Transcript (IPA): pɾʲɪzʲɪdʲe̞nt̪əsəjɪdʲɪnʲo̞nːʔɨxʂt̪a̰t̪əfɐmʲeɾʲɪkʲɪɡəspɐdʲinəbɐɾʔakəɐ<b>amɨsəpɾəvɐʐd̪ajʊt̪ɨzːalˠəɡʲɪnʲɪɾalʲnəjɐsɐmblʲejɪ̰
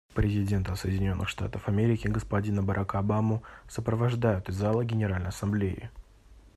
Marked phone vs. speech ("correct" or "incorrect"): correct